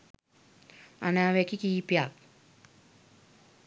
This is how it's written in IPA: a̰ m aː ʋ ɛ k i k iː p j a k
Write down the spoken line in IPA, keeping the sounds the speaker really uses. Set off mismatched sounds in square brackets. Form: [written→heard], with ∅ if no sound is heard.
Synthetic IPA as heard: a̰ [m→n] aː ʋ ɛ k i k iː p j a k